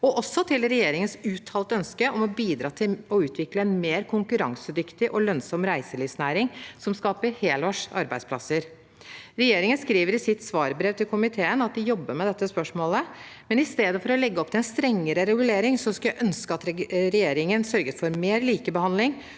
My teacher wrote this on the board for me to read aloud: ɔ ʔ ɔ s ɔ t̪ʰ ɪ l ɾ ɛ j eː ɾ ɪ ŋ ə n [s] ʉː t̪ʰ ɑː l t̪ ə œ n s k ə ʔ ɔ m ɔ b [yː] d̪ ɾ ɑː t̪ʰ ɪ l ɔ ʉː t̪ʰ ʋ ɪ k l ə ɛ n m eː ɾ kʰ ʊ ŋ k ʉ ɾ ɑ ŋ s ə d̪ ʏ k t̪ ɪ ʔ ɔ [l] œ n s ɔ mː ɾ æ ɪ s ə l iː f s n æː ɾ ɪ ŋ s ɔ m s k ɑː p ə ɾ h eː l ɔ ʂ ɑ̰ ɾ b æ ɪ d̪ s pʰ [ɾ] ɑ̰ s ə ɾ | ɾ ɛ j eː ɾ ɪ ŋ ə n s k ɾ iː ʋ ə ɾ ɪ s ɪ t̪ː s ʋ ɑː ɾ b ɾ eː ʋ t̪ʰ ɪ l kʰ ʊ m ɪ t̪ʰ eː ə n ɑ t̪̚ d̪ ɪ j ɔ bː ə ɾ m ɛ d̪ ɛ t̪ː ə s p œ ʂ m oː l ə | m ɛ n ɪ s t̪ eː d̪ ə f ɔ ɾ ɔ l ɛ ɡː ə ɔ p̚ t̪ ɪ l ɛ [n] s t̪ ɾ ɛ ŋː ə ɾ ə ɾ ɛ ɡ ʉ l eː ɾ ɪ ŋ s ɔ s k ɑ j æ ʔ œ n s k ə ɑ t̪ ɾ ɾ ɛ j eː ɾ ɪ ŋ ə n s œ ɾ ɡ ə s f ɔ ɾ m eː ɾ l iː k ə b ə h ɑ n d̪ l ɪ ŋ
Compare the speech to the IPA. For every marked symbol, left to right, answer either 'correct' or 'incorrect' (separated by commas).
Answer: correct, incorrect, correct, incorrect, correct